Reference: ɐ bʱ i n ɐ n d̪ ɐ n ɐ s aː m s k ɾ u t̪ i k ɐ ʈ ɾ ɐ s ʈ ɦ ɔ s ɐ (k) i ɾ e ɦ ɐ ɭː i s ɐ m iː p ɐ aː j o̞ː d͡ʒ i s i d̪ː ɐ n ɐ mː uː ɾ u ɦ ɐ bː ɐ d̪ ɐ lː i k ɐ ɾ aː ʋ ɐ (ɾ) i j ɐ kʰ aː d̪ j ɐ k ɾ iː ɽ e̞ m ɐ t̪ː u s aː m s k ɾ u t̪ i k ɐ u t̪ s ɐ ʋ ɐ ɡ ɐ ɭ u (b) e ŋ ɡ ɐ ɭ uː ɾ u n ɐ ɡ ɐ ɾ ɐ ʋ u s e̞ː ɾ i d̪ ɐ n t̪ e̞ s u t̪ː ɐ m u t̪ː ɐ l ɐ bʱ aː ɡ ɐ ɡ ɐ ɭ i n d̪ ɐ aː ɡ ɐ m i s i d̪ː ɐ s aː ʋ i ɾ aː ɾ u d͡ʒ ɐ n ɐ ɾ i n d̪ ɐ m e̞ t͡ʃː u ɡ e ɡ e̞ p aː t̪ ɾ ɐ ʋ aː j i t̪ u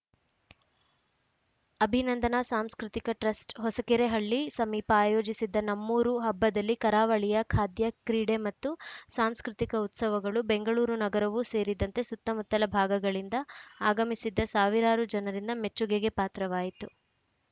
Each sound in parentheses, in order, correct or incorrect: correct, incorrect, correct

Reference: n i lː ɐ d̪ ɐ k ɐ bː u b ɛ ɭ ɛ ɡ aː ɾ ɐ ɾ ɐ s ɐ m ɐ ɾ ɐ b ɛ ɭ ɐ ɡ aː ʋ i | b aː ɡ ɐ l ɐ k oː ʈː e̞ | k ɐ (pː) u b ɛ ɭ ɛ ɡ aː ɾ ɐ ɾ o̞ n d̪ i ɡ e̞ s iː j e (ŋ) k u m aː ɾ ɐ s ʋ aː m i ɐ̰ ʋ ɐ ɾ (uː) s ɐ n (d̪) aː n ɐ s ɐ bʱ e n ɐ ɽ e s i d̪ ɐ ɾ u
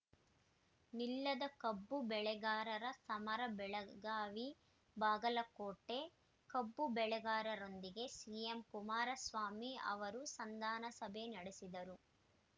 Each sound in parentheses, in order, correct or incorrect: incorrect, incorrect, incorrect, correct

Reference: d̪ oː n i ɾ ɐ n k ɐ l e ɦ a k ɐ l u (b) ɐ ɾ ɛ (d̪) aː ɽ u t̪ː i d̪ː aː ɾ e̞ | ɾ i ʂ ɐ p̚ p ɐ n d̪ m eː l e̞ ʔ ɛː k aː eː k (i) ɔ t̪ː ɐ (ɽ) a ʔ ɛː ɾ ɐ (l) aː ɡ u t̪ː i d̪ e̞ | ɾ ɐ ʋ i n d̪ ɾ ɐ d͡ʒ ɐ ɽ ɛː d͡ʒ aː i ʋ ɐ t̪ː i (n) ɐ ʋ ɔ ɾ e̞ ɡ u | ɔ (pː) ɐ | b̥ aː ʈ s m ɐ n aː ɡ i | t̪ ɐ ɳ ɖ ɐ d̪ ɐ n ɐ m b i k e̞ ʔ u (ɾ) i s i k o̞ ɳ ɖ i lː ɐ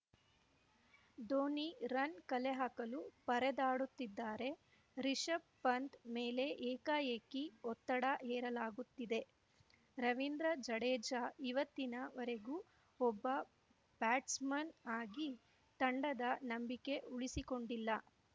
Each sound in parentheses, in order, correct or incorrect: incorrect, correct, correct, correct, correct, correct, incorrect, incorrect

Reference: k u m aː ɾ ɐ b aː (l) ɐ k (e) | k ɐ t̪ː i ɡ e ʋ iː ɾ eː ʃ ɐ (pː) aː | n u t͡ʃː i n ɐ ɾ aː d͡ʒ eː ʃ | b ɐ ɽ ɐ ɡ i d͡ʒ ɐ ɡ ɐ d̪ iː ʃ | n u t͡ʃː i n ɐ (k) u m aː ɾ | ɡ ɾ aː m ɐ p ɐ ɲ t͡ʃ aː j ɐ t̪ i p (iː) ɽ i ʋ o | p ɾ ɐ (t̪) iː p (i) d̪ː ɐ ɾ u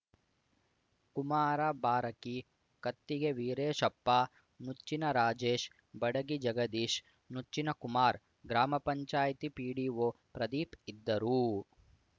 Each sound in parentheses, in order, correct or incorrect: incorrect, incorrect, correct, correct, correct, incorrect, correct

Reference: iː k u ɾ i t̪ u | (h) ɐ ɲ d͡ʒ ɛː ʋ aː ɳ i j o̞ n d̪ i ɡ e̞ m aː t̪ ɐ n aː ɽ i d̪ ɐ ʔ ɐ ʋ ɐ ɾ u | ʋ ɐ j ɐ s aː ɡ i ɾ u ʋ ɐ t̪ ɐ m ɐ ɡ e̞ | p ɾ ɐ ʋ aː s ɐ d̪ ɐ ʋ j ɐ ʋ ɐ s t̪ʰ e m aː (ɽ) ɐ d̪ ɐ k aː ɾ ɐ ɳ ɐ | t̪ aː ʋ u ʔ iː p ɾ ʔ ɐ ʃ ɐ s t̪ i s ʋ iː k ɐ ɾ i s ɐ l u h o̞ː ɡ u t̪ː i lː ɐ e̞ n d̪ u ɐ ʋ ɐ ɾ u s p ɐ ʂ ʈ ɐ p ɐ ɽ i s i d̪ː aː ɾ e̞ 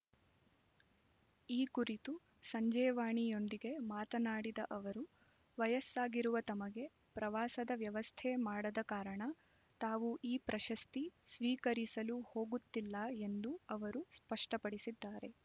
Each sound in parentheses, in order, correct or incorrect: incorrect, correct

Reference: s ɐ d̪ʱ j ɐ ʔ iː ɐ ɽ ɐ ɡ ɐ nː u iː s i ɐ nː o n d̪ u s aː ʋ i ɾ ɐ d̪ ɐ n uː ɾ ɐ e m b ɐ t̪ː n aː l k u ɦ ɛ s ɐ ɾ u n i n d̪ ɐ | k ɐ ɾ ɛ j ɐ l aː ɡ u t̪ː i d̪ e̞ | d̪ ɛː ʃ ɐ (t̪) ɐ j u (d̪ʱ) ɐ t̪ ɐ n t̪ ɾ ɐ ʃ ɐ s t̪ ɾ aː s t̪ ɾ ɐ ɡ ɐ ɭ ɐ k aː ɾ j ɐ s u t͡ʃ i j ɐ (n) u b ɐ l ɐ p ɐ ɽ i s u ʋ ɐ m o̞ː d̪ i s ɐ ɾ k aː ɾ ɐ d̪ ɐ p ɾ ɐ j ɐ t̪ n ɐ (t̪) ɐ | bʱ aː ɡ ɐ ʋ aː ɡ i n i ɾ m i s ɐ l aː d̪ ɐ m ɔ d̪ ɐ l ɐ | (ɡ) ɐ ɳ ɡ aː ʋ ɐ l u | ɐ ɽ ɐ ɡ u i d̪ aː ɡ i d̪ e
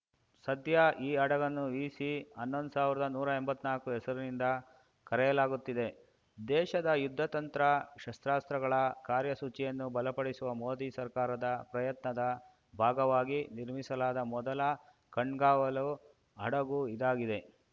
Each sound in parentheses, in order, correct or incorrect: incorrect, incorrect, incorrect, incorrect, incorrect

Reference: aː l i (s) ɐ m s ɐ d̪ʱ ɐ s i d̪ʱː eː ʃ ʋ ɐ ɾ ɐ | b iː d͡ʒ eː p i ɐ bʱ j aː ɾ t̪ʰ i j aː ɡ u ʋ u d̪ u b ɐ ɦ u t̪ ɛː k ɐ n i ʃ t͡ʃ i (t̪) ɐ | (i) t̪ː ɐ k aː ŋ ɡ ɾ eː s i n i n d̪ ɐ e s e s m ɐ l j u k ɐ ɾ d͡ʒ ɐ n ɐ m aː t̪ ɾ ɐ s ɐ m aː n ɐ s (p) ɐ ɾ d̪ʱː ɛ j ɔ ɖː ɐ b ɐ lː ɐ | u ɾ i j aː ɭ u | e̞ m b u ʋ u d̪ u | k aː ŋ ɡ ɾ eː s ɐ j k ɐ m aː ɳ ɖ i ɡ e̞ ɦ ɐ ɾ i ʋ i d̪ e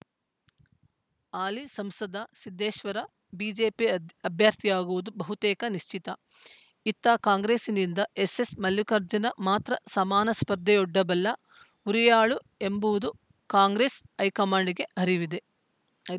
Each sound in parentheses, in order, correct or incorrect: correct, correct, correct, correct

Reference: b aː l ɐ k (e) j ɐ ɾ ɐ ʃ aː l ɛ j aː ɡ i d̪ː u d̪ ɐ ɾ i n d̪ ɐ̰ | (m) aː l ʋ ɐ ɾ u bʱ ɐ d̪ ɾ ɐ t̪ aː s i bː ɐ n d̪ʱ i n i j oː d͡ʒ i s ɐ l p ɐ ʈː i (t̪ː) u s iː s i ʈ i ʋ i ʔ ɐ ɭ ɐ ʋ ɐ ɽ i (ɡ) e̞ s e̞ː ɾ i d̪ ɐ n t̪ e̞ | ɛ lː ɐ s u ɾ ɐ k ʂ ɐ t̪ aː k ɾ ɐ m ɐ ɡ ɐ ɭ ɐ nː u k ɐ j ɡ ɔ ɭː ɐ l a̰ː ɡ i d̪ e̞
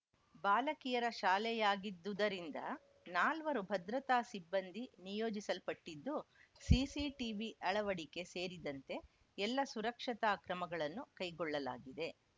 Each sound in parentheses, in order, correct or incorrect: incorrect, incorrect, incorrect, incorrect

